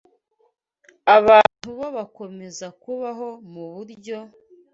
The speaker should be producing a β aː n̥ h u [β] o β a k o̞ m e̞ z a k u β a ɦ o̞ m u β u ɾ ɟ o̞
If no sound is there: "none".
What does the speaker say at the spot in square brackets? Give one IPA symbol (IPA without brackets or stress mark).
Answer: β